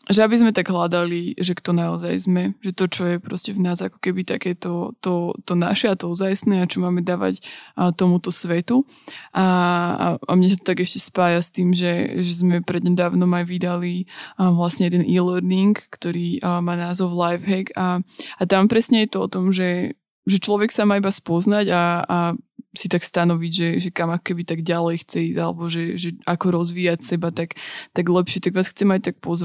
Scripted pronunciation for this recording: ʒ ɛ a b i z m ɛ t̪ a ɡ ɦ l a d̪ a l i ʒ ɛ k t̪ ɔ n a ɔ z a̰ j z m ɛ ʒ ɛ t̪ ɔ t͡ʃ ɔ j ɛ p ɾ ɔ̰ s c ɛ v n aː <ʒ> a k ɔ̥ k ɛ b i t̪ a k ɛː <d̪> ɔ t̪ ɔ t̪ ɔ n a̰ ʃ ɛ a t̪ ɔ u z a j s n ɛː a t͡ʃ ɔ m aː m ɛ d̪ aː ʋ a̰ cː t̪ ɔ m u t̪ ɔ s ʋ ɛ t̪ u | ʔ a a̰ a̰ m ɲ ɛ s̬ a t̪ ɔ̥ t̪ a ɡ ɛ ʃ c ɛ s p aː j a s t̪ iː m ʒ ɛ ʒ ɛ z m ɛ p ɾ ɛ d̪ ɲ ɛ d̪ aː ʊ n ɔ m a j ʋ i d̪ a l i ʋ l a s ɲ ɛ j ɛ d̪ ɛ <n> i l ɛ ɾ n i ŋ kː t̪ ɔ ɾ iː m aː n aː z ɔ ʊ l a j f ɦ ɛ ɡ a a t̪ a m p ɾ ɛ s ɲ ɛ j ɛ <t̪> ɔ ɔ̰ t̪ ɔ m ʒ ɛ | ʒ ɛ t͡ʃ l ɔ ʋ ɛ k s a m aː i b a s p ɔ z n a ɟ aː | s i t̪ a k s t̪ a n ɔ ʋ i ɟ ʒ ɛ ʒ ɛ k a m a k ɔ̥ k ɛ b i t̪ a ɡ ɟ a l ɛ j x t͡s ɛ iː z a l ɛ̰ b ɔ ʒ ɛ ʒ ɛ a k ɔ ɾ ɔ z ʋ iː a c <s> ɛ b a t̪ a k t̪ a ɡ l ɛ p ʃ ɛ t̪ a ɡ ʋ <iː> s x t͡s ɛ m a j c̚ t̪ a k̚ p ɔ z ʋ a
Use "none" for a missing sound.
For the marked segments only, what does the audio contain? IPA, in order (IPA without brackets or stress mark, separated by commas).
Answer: z, t̪, n, t̪, s, aː